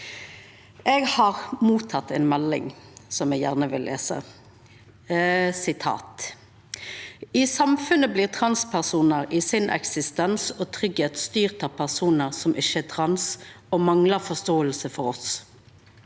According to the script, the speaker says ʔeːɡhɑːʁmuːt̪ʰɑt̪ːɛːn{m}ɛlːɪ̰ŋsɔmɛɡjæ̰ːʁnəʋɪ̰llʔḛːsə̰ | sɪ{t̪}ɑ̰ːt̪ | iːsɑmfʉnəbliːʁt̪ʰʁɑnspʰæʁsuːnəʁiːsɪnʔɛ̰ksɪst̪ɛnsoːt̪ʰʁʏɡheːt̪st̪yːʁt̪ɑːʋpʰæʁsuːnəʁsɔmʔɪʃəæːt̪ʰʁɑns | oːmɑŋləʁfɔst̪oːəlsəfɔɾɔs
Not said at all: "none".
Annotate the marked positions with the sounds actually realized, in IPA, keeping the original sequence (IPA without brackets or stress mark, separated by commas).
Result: m, t̪ʰ